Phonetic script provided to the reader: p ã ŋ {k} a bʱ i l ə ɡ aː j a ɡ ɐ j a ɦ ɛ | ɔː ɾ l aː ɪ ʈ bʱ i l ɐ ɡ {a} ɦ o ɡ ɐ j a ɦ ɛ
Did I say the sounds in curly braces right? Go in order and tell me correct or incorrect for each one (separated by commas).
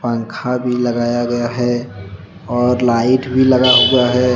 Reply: incorrect, correct